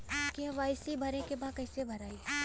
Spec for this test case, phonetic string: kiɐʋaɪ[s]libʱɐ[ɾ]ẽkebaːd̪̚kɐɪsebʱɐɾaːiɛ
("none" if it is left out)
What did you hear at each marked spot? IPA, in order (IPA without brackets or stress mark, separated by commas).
s, ɾ